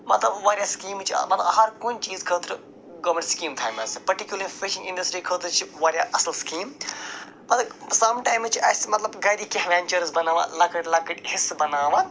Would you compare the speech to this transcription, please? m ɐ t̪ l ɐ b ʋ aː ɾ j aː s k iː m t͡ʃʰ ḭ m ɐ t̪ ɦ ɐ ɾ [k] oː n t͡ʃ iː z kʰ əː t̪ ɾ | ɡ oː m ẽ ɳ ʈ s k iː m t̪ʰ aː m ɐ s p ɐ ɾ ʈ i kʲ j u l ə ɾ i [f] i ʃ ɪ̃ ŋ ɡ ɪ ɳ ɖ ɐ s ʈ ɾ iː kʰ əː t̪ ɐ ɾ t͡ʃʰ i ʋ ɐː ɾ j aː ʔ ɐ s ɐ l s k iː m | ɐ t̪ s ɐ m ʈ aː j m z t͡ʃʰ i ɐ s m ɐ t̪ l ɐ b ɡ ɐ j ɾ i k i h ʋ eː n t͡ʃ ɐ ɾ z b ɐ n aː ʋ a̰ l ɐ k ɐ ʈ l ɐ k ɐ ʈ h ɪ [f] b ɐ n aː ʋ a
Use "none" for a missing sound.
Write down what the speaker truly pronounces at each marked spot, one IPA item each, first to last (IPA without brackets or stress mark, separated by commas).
k, f, s